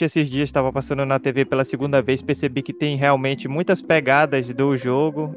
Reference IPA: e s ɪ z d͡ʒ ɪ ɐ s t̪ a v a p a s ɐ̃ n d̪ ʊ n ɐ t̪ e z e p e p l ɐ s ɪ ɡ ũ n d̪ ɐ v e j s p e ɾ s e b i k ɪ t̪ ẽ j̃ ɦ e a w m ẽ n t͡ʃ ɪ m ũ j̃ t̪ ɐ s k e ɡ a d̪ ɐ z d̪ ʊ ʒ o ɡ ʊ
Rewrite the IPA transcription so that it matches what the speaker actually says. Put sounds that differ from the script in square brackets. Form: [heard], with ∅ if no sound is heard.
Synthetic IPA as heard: e s ɪ z d͡ʒ [i] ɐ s t̪ a v [ɐ] p a s ɐ̃ n d̪ ʊ n ɐ t̪ e [v] e p e [∅] l ɐ s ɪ ɡ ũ n d̪ ɐ v e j s p e ɾ s e b i k ɪ t̪ ẽ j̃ ɦ e a w m ẽ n t͡ʃ ɪ m ũ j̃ t̪ ɐ s [p] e ɡ a d̪ ɐ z d̪ ʊ ʒ o ɡ ʊ